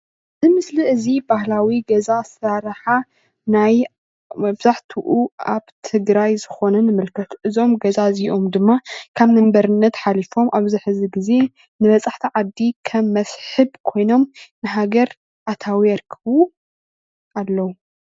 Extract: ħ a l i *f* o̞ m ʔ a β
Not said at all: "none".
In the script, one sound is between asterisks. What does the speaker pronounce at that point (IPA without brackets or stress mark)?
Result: f